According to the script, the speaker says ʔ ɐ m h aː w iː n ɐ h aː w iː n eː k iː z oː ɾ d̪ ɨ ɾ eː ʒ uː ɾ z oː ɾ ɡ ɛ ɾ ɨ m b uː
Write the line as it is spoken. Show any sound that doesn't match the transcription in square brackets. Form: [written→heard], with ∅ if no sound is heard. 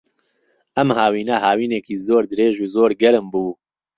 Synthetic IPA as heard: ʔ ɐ m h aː w iː n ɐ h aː w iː n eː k iː z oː ɾ d̪ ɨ ɾ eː ʒ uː [ɾ→∅] z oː ɾ ɡ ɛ ɾ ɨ m b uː